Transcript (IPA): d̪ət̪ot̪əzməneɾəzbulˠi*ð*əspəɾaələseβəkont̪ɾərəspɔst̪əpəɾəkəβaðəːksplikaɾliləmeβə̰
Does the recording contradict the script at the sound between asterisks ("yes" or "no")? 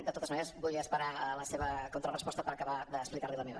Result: yes